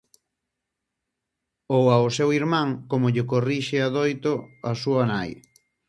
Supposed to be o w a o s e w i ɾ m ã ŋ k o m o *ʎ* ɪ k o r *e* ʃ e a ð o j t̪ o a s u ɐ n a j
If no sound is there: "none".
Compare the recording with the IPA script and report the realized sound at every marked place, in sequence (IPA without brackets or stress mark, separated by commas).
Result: ʎ, i